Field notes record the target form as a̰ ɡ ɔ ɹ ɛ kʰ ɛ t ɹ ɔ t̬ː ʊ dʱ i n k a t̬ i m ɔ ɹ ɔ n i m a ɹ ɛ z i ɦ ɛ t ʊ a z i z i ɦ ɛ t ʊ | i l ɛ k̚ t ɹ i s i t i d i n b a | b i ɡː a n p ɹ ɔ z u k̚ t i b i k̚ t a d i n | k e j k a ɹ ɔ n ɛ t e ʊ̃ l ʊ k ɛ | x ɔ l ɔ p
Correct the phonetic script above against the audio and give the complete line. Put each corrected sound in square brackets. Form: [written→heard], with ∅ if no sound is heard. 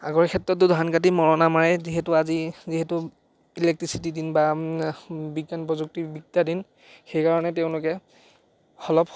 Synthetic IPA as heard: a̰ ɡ ɔ ɹ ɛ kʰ ɛ t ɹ ɔ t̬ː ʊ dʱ [i→a] n k a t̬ i m ɔ ɹ ɔ n [i→a] m a ɹ ɛ z i ɦ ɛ t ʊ a z i z i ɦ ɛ t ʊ | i l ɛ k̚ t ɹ i s i t i d i n b a | b i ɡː a n p ɹ ɔ z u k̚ t i b i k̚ t a d i n | [k→x] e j k a ɹ ɔ n ɛ t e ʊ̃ l ʊ k ɛ | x ɔ l ɔ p